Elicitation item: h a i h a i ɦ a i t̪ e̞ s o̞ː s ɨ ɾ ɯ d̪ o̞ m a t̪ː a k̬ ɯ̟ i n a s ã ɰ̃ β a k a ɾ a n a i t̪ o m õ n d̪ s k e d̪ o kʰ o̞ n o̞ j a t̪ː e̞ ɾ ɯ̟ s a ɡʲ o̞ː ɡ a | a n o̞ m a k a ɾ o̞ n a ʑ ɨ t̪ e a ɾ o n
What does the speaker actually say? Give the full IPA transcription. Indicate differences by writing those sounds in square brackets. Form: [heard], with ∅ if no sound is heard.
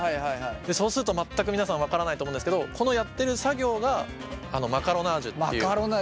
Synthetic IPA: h a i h a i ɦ a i [d̪] e̞ s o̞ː s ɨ ɾ ɯ [t̪] o̞ m a t̪ː a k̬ ɯ̟ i n a s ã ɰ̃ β a k a ɾ a n a i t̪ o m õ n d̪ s k e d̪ o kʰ o̞ n o̞ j a t̪ː e̞ ɾ ɯ̟ s a ɡʲ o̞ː ɡ a | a n o̞ m a k a ɾ o̞ n a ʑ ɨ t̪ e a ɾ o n

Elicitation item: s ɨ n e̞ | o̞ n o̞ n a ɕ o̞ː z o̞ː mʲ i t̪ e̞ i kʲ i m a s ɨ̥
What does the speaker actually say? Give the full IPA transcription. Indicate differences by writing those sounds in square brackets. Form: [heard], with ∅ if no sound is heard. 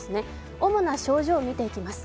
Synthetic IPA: s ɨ n e̞ | o̞ [m] o̞ n a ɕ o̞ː [ʑ] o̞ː mʲ i t̪ e̞ i kʲ i m a s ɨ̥

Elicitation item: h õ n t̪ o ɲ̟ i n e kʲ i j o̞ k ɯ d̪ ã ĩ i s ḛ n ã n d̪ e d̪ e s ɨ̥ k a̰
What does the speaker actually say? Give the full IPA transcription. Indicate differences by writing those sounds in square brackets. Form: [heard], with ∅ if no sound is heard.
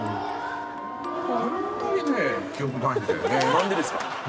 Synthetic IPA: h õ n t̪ o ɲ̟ i n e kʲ i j o̞ k ɯ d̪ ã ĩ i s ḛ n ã n d̪ e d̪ e s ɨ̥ k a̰

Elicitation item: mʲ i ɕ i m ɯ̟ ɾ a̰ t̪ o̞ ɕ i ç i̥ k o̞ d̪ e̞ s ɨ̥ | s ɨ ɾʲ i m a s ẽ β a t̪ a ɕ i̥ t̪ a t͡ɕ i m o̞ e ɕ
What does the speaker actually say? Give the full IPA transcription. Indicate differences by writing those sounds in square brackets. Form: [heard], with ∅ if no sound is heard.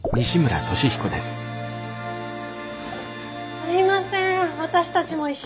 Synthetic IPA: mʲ i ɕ i m ɯ̟ ɾ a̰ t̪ o̞ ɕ i ç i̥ k o̞ d̪ e̞ s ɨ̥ | s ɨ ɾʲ i m a s ẽ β a t̪ a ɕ i̥ t̪ a t͡ɕ i m o̞ [i] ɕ

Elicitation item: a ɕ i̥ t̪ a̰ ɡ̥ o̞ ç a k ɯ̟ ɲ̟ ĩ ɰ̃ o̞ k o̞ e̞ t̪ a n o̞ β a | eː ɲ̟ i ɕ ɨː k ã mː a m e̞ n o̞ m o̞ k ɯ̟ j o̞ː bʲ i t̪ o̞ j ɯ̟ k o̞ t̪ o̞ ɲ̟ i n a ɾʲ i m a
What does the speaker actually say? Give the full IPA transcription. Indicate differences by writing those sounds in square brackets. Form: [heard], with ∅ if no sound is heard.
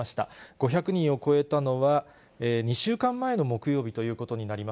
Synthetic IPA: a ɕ i̥ t̪ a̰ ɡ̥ o̞ ç a k ɯ̟ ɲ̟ ĩ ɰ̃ o̞ k o̞ e̞ t̪ a n o̞ β a | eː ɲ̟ i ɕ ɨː k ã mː a [∅] e̞ n o̞ m o̞ k ɯ̟ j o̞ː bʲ i t̪ o̞ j [ɯ̟ː] k o̞ t̪ o̞ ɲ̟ i n a ɾʲ i m a

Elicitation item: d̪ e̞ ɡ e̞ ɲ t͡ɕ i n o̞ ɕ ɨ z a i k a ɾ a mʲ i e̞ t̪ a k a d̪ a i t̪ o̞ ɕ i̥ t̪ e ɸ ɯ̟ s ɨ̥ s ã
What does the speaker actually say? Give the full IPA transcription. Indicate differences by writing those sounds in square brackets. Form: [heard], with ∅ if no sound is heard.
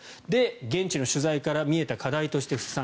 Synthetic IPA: d̪ e̞ ɡ [ẽ̞] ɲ t͡ɕ i n o̞ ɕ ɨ z a i k a ɾ a mʲ i e̞ t̪ a k a d̪ a i t̪ o̞ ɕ i̥ t̪ e ɸ ɯ̟ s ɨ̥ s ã

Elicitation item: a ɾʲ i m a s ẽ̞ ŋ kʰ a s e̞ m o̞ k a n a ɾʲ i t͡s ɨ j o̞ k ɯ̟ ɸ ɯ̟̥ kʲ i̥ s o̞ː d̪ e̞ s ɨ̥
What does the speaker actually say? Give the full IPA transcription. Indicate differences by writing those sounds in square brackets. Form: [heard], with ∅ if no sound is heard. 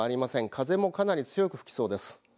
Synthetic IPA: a ɾʲ i m a s ẽ̞ ŋ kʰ a [z] e̞ m o̞ k a n a ɾʲ i t͡s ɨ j o̞ k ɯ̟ ɸ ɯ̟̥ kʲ i̥ s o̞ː d̪ e̞ s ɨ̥

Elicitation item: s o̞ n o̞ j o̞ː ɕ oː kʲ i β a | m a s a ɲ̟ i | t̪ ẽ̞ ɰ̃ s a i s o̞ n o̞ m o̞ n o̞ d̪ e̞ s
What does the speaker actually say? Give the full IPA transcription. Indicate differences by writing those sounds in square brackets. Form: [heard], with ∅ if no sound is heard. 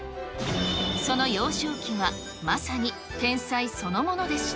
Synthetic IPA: s o̞ n o̞ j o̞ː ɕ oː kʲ i β a | m a s a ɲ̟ i | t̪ ẽ̞ ɰ̃ s a i s o̞ n o̞ m o̞ n o̞ d̪ e̞ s

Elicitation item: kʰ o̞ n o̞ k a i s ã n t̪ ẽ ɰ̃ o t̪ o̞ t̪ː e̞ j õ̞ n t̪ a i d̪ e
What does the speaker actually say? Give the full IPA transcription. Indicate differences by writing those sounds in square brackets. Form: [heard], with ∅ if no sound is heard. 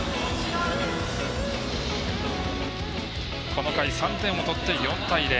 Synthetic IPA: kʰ o̞ n o̞ k a i s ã n t̪ ẽ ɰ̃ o t̪ o̞ t̪ː e̞ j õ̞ n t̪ a i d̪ e

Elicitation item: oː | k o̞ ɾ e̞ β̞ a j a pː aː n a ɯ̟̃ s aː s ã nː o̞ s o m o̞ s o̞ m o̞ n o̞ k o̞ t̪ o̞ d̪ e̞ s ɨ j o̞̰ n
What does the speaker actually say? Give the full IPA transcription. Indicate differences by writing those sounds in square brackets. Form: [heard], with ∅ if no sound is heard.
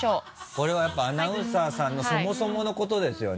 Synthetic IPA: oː | k o̞ ɾ e̞ β̞ a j a pː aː n a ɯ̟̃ s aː s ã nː o̞ s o m o̞ s o̞ m o̞ n o̞ k o̞ t̪ o̞ d̪ e̞ s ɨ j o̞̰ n

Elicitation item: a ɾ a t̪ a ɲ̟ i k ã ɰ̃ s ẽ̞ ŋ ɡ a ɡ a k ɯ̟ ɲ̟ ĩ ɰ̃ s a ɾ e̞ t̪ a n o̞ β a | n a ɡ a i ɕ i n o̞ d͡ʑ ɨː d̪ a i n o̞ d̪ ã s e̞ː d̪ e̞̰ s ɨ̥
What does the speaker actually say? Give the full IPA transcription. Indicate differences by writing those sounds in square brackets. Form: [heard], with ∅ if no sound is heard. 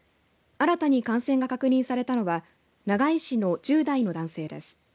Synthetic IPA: a ɾ a t̪ a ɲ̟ i k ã ɰ̃ s ẽ̞ ŋ ɡ a [k] a k ɯ̟ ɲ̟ ĩ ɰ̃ s a ɾ e̞ t̪ a n o̞ β a | n a ɡ a i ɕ i n o̞ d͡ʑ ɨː d̪ a i n o̞ d̪ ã s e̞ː d̪ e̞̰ s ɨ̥

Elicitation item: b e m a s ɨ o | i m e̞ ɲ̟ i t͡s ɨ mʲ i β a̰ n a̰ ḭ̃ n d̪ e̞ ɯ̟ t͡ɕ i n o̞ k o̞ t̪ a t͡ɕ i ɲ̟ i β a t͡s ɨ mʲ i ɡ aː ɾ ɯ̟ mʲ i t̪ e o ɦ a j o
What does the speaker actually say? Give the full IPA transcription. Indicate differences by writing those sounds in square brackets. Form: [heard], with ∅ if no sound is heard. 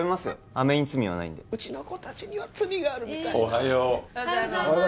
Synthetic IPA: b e m a s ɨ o | [a] m e̞ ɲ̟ i t͡s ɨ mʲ i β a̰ n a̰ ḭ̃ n d̪ e̞ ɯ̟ t͡ɕ i n o̞ k o̞ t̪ a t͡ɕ i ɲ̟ i β a t͡s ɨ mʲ i ɡ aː ɾ ɯ̟ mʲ i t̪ [a] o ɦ a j o

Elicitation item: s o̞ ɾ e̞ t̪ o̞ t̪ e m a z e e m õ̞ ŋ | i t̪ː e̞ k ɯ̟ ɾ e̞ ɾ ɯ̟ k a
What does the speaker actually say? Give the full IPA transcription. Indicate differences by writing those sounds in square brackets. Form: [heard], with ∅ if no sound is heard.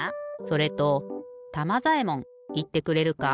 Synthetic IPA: s o̞ ɾ e̞ t̪ o̞ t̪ [a] m a z [a] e m õ̞ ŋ | i t̪ː e̞ k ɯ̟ ɾ e̞ ɾ ɯ̟ k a

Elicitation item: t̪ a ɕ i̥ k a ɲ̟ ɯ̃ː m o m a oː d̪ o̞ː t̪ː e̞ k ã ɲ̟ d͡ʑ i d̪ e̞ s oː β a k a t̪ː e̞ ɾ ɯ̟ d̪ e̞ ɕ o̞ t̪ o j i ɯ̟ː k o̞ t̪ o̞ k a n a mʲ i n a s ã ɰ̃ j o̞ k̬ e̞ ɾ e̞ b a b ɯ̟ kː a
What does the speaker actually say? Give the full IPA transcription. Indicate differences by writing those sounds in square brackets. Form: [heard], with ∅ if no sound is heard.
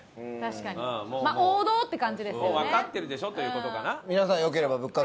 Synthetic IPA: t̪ a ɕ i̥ k a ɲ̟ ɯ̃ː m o m a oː d̪ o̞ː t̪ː e̞ k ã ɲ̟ d͡ʑ i d̪ e̞ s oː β a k a t̪ː e̞ ɾ ɯ̟ d̪ e̞ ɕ o̞ t̪ o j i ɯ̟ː k o̞ t̪ o̞ k a n a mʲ i n a s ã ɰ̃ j o̞ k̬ e̞ ɾ e̞ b a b ɯ̟ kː a

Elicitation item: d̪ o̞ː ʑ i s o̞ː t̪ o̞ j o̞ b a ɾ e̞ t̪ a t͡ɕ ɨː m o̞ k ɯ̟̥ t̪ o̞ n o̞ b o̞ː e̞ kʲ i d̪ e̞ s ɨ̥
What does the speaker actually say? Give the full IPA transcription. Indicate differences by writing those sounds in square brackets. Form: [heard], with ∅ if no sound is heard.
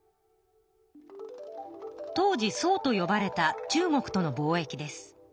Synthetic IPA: [t̪] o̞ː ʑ i s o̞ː t̪ o̞ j o̞ b a ɾ e̞ t̪ a t͡ɕ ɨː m o̞ k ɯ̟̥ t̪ o̞ n o̞ b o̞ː e̞ kʲ i d̪ e̞ s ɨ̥

